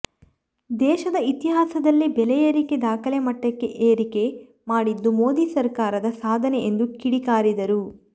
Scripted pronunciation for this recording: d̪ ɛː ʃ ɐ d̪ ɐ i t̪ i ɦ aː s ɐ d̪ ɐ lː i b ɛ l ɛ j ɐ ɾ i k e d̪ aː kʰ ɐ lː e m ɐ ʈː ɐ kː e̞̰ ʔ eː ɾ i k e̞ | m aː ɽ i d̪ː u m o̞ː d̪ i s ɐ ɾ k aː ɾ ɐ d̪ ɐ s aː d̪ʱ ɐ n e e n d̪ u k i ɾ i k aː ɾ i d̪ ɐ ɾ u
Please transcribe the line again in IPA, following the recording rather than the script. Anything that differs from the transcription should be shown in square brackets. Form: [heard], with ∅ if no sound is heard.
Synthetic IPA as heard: d̪ ɛː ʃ ɐ d̪ ɐ i t̪ i ɦ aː s ɐ d̪ ɐ lː i b ɛ l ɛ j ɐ ɾ i k e d̪ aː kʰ ɐ [l] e m ɐ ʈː ɐ kː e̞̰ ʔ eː ɾ i k e̞ | m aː ɽ i d̪ː u m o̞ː d̪ i s ɐ ɾ k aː ɾ ɐ d̪ ɐ s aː d̪ʱ ɐ n e e n d̪ u k i [ɽ] i k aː ɾ i d̪ ɐ ɾ u